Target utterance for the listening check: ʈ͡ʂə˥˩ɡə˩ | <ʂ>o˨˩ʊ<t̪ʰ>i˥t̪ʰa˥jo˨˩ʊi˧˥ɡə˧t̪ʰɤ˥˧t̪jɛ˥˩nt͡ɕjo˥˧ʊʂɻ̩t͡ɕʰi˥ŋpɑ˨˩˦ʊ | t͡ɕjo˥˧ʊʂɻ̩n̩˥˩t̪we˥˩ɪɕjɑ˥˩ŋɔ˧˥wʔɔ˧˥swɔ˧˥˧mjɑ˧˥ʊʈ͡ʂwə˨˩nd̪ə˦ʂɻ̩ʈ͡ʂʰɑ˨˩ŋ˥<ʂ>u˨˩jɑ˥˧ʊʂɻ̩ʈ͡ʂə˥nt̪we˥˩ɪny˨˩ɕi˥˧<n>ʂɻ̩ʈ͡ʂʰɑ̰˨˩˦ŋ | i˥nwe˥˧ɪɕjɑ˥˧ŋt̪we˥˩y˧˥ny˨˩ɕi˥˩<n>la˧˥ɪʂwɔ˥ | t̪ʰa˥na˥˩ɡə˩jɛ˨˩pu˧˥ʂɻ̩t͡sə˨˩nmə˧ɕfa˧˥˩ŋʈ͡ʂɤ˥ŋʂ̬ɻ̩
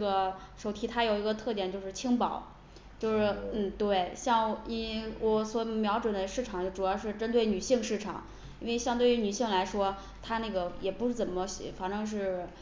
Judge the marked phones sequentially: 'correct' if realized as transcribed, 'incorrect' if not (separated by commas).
correct, correct, incorrect, incorrect, incorrect